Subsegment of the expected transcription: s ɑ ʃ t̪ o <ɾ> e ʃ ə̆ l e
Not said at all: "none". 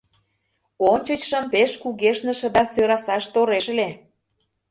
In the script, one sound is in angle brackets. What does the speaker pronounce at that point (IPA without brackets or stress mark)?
ɾ